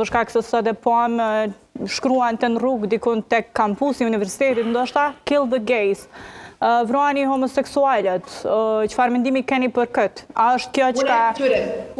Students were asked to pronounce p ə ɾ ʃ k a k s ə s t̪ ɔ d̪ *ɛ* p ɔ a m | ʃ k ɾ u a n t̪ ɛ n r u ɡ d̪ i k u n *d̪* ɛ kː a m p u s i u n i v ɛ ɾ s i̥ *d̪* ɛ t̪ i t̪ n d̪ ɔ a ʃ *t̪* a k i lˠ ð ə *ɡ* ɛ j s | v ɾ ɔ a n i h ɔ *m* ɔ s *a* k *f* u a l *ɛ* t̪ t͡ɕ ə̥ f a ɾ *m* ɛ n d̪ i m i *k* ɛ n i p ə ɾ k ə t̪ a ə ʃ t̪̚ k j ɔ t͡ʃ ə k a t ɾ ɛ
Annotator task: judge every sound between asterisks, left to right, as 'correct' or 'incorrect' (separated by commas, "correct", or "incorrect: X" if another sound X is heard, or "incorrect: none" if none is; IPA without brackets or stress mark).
correct, incorrect: t̪, incorrect: t̪, correct, correct, correct, incorrect: ɛ, incorrect: s, correct, correct, correct